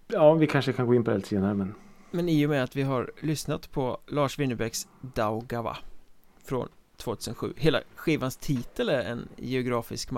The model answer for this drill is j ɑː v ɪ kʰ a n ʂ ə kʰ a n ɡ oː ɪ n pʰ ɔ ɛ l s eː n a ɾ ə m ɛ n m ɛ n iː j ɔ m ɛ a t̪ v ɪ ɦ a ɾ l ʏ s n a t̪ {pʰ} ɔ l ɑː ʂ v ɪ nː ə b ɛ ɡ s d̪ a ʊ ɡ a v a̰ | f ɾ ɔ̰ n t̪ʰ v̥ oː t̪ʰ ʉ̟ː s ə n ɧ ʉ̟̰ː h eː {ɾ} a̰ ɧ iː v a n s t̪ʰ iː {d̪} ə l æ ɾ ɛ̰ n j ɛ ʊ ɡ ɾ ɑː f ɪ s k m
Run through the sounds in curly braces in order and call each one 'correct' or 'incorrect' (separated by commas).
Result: correct, incorrect, incorrect